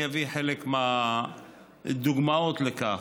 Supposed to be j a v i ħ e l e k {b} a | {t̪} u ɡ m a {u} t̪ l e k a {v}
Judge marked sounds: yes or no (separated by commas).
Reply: no, no, no, no